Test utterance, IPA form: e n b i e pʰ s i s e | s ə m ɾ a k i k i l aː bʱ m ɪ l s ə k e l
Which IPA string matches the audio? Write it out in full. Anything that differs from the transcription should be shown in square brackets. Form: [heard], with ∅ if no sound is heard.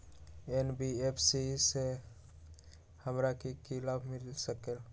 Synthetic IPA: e n b i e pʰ s i s e | [h] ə m ɾ a k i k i l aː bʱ m ɪ l s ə k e l